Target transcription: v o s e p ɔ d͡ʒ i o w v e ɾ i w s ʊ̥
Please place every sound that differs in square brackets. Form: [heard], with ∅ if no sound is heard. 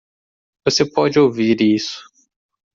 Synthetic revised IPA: v o s e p ɔ d͡ʒ [ɪ] o w v [i] ɾ i [∅] s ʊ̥